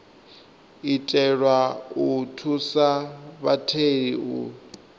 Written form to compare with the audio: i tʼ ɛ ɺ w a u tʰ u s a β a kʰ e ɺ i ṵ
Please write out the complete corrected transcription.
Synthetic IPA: i tʼ ɛ ɺ w a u tʰ u s a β a tʰ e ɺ i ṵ